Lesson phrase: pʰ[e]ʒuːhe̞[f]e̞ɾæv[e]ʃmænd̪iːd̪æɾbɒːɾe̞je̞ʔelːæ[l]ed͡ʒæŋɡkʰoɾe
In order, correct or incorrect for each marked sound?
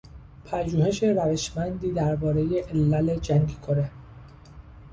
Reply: incorrect, incorrect, correct, correct

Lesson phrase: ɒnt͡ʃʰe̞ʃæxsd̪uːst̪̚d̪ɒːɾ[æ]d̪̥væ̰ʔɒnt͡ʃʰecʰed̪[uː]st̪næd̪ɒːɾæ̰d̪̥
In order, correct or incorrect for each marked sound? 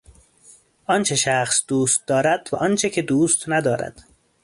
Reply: correct, correct

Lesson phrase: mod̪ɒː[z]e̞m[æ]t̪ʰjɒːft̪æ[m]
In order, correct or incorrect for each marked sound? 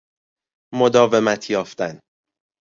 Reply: incorrect, correct, incorrect

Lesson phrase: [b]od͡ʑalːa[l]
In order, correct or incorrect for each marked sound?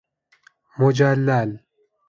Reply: incorrect, correct

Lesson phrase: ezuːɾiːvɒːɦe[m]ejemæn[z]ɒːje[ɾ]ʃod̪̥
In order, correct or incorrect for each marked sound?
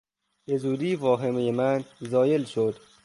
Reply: correct, correct, incorrect

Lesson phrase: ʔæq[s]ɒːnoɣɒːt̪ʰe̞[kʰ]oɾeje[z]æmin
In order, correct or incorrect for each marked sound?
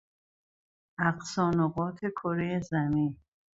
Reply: correct, correct, correct

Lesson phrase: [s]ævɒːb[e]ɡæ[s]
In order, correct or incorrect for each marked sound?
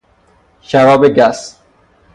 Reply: incorrect, correct, correct

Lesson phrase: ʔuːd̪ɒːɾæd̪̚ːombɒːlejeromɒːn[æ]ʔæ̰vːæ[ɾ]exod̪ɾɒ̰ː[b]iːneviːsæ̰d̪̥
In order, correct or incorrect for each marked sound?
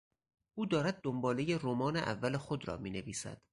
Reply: incorrect, incorrect, incorrect

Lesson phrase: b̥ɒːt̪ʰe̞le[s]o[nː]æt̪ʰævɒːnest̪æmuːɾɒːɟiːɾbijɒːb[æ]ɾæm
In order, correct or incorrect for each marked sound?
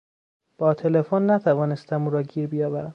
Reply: incorrect, correct, correct

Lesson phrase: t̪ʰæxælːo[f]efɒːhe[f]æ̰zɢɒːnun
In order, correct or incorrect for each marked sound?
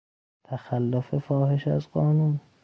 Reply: correct, incorrect

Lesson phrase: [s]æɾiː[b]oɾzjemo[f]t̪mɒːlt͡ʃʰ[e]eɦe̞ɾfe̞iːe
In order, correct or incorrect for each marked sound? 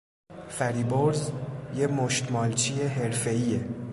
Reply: incorrect, correct, incorrect, incorrect

